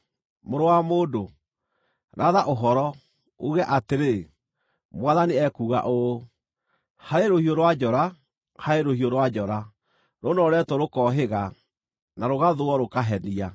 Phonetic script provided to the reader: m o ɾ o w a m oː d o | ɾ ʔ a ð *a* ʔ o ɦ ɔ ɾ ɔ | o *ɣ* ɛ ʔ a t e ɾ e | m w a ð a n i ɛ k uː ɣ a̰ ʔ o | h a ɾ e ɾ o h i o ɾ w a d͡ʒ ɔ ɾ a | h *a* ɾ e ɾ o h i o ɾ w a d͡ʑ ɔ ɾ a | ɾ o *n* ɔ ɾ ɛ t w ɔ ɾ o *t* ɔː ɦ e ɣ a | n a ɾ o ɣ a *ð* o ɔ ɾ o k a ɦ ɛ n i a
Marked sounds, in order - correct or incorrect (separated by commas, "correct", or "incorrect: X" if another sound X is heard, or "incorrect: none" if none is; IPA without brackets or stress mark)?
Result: correct, correct, correct, correct, incorrect: k, correct